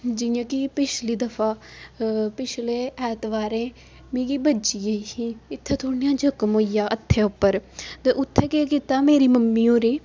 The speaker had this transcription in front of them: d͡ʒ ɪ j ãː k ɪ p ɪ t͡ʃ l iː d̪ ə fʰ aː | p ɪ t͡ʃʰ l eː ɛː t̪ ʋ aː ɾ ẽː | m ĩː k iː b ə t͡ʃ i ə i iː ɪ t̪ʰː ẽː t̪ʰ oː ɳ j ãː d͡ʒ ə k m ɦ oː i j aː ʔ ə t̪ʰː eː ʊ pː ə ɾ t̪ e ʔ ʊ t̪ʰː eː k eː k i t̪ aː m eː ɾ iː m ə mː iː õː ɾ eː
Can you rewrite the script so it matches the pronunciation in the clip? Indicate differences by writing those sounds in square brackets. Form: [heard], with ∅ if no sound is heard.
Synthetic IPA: d͡ʒ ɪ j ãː k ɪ p ɪ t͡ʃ l iː d̪ ə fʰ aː | p ɪ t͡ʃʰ l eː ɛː t̪ ʋ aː ɾ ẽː | m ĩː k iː b ə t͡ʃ i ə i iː ɪ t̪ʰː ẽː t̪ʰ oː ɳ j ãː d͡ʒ ə k m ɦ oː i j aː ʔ ə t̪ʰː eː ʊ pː ə ɾ t̪ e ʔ ʊ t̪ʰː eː k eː k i t̪ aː m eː ɾ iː m ə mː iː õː ɾ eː